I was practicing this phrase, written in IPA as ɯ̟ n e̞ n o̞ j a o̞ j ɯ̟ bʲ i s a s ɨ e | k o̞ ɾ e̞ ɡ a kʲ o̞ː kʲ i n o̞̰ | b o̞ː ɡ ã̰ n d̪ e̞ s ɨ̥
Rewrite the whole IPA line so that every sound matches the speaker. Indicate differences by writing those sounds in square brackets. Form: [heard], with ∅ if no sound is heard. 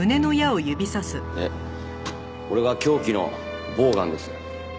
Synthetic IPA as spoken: ɯ̟ n e̞ n o̞ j a o̞ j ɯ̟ bʲ i s a s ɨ e | k o̞ ɾ e̞ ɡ a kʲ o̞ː kʲ i n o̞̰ | b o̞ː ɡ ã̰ n d̪ e̞ s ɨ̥